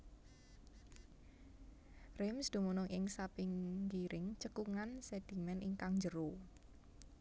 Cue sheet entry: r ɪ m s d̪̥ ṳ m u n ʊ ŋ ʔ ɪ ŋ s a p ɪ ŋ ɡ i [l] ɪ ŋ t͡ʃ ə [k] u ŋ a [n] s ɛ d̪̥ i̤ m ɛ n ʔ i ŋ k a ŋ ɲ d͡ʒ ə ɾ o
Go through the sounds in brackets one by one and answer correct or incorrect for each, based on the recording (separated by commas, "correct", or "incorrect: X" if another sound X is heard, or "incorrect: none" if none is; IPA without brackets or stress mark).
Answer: incorrect: ɾ, correct, correct